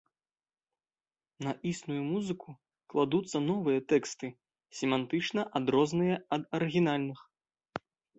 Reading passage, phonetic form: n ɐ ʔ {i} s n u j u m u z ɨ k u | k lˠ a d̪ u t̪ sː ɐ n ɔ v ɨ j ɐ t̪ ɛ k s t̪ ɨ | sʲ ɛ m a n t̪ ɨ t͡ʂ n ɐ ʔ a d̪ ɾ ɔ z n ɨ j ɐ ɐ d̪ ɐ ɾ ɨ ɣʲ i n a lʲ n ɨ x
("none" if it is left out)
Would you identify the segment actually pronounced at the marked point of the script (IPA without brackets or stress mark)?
i